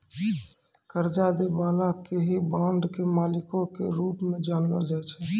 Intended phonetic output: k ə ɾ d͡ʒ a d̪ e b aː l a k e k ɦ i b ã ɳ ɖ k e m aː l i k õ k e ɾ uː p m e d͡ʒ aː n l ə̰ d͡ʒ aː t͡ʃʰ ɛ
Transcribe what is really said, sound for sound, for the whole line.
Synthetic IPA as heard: k ə ɾ d͡ʒ a d̪ e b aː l a k e ɦ i b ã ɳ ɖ k e m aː l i k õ k e ɾ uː p m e d͡ʒ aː n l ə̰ d͡ʒ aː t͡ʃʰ ɛ